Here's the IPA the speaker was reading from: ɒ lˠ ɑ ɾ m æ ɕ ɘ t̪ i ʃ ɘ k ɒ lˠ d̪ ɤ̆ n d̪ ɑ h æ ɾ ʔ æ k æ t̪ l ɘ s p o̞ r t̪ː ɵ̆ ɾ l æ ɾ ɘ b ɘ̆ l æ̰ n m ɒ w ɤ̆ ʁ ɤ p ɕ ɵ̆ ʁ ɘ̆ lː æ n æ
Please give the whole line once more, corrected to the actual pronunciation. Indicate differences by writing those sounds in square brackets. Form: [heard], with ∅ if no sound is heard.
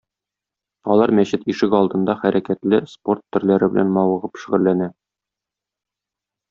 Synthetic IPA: ɒ lˠ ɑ ɾ m æ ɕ ɘ t̪ i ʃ ɘ k ɒ lˠ d̪ ɤ̆ n d̪ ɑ [χ] æ ɾ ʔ æ k æ t̪ l ɘ s p o̞ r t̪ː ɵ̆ ɾ l æ ɾ ɘ b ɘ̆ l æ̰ n m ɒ w ɤ̆ ʁ ɤ p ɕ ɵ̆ ʁ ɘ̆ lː æ n æ